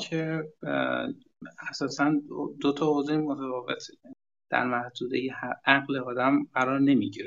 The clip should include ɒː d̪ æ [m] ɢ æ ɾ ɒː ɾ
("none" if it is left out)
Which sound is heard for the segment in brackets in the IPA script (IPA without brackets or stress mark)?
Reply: m